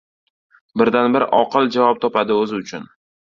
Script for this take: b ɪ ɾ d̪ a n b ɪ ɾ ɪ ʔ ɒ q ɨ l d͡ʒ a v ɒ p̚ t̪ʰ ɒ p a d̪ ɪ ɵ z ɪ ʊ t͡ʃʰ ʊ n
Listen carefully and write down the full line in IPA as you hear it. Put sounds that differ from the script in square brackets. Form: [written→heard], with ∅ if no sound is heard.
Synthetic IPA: b ɪ ɾ d̪ a n b ɪ ɾ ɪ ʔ ɒ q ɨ l d͡ʒ a v ɒ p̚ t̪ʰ ɒ p a d̪ ɪ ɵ z ɪ ʊ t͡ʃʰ ʊ n